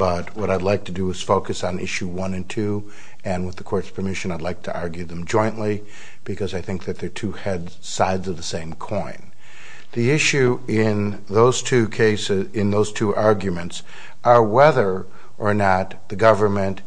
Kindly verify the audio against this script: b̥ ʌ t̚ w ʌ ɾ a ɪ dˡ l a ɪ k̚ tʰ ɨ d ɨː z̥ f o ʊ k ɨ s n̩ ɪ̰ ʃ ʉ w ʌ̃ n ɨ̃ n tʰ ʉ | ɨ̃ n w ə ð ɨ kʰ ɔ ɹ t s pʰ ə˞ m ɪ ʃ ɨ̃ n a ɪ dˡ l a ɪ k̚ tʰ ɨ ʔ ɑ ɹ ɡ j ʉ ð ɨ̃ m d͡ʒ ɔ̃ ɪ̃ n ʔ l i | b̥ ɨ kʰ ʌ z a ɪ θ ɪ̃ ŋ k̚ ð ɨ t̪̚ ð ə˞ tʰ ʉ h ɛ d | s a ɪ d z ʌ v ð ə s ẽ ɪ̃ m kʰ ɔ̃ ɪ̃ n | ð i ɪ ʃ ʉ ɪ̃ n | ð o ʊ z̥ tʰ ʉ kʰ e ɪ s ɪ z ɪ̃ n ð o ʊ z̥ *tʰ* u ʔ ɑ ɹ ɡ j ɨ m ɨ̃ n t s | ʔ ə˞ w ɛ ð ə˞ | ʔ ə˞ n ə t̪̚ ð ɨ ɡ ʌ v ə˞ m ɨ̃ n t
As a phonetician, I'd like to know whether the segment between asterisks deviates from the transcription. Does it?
no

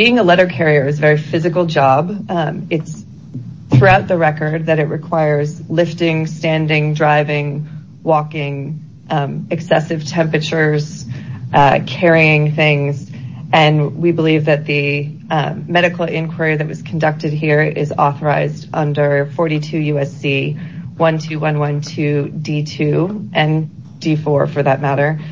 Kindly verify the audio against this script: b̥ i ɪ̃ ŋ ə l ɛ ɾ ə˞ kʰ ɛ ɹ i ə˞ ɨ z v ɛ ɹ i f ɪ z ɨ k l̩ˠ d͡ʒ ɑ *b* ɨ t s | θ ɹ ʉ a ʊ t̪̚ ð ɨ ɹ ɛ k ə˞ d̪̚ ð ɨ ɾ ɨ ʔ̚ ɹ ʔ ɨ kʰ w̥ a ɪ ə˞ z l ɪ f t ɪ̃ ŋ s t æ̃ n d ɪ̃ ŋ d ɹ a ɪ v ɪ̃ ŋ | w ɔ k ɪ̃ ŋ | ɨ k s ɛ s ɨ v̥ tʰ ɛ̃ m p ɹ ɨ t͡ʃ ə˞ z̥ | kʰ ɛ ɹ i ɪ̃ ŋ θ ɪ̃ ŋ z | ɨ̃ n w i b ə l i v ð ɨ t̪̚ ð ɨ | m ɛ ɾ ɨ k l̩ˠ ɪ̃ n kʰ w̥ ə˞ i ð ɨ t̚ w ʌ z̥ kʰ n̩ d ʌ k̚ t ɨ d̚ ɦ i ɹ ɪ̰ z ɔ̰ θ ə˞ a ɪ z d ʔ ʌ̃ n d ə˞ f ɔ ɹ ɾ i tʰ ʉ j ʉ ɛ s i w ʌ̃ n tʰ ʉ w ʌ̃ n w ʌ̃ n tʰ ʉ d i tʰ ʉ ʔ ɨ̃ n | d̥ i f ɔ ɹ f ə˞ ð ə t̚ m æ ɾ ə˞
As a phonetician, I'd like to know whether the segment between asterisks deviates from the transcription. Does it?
no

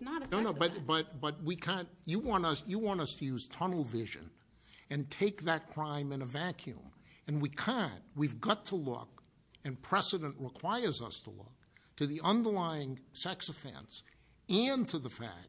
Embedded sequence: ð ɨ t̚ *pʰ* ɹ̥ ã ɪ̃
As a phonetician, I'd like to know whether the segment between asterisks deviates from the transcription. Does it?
yes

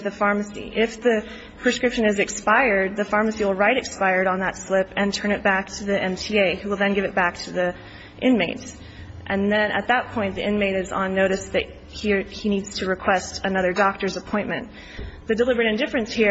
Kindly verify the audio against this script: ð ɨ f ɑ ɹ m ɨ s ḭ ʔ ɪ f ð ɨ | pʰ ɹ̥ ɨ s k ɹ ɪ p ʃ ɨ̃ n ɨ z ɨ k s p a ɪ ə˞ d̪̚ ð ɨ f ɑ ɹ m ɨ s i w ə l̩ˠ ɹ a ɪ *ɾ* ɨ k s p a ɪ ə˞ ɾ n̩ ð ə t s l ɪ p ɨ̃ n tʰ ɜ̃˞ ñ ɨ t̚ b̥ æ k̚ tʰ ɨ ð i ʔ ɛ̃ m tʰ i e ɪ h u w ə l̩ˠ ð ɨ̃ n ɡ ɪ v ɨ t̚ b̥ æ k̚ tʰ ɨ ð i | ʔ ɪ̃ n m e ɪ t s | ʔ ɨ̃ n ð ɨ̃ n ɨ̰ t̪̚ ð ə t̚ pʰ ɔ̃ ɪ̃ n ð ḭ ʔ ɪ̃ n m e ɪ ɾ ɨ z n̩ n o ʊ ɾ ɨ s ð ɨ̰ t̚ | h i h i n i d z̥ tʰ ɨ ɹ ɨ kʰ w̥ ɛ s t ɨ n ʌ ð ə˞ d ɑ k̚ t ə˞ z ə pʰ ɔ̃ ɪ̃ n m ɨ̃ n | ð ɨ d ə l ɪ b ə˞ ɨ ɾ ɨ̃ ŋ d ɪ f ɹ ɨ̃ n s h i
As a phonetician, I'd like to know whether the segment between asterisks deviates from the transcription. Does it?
no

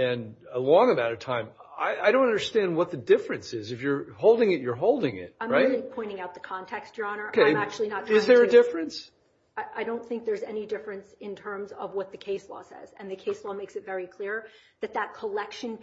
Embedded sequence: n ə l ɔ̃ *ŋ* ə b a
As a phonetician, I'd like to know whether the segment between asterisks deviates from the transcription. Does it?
no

